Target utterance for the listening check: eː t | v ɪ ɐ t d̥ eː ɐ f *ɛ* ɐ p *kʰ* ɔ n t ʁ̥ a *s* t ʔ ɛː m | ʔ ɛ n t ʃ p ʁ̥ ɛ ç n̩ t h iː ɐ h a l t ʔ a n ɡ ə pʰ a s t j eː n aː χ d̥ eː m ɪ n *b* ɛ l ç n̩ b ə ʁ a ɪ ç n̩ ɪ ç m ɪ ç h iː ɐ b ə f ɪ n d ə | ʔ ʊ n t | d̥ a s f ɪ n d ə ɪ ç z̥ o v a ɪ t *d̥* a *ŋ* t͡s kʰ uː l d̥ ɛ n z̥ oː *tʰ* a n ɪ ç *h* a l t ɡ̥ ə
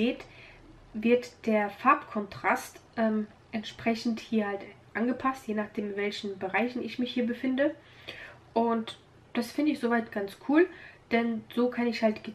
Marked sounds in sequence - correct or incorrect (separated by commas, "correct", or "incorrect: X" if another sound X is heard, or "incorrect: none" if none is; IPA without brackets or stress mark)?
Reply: incorrect: a, correct, correct, incorrect: v, incorrect: ɡ̥, incorrect: n, incorrect: kʰ, correct